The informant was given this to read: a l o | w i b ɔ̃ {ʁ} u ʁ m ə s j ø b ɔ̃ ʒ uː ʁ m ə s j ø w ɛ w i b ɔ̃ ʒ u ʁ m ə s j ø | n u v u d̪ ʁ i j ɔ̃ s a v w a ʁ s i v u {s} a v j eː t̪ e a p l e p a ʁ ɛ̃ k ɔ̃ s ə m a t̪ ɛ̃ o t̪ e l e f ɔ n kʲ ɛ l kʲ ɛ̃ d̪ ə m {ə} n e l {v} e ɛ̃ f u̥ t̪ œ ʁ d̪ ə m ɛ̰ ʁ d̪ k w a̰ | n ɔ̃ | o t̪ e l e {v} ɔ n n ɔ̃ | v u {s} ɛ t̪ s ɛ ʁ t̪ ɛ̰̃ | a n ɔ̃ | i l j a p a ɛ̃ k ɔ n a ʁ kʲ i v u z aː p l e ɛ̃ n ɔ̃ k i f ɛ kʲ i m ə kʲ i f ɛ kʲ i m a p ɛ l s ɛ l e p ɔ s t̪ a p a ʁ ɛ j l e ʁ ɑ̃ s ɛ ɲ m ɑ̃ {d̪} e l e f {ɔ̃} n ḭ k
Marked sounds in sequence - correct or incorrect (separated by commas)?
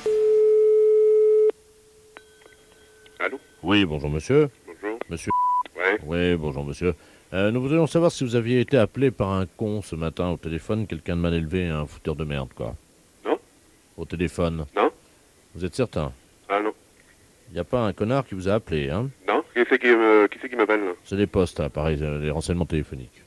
incorrect, incorrect, incorrect, correct, incorrect, incorrect, incorrect, incorrect